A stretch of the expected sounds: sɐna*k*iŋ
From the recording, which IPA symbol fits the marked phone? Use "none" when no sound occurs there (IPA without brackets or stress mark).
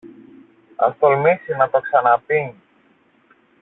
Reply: p